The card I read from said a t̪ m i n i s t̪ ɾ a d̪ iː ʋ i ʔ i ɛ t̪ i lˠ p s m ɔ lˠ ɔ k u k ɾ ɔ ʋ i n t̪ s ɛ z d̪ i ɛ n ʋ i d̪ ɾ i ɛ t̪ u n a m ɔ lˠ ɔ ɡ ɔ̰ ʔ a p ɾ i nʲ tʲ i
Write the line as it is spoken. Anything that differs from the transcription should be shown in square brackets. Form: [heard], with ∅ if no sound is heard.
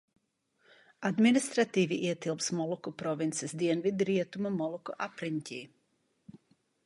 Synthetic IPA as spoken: a [d̪] m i n i s t̪ ɾ a [t̪] iː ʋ i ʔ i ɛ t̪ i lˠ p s m ɔ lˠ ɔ k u [p] ɾ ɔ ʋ i n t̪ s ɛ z d̪ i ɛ n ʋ i d̪ ɾ i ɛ t̪ u [m] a m ɔ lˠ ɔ [k] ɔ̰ ʔ a p ɾ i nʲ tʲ i